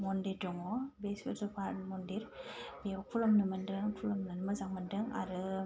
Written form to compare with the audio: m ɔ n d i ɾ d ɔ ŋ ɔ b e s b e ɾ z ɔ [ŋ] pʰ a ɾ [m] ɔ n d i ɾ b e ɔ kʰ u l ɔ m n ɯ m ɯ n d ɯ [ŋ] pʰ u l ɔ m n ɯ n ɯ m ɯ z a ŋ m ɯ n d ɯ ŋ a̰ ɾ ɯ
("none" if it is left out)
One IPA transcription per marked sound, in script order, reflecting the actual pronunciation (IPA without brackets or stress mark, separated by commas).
none, m, ŋ